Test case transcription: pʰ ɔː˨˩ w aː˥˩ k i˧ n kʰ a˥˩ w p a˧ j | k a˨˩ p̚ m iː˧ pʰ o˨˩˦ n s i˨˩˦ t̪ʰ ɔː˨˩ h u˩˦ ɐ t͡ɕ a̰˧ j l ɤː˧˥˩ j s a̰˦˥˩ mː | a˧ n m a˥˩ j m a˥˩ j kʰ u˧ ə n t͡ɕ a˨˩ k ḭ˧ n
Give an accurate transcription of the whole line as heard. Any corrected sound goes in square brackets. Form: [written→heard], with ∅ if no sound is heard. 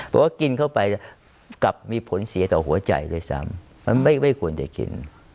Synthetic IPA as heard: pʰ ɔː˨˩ w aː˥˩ k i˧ n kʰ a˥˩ w p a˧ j | k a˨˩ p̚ m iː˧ pʰ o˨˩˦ n s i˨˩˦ [t̪ʰ→t̪] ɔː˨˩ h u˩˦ ɐ t͡ɕ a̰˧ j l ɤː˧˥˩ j s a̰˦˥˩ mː | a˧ n m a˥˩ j m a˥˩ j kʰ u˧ ə n t͡ɕ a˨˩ k ḭ˧ n